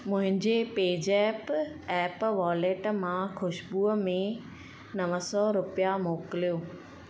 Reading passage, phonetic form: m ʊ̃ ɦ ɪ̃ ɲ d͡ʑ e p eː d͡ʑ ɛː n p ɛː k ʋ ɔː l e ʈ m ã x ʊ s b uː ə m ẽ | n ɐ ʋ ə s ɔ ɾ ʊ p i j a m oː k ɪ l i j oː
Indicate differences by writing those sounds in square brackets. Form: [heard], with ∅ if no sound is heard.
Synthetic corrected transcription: m ʊ̃ ɦ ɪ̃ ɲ d͡ʑ e p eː d͡ʑ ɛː [∅] p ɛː [p] ʋ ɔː l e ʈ m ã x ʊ [ʃ] b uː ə m ẽ | n ɐ ʋ ə s ɔ ɾ ʊ p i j a m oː k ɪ l i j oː